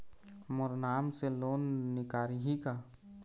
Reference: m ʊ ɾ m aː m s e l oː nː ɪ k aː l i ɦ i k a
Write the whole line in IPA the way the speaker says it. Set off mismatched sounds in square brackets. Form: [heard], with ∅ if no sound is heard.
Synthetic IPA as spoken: m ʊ ɾ [n] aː m s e l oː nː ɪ k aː [ɾ] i ɦ i k a